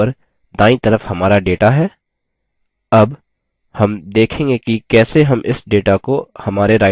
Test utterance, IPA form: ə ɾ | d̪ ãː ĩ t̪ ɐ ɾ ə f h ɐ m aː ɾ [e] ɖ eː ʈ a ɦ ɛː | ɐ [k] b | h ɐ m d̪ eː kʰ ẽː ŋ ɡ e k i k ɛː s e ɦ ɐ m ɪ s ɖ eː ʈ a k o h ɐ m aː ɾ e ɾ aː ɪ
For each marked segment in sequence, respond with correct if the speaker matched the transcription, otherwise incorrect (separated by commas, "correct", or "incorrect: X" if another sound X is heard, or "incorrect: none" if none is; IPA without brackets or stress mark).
incorrect: a, incorrect: none